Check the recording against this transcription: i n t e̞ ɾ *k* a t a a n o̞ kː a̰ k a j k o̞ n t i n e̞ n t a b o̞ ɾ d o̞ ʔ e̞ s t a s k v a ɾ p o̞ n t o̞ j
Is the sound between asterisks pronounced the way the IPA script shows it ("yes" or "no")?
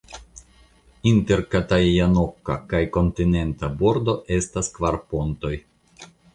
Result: yes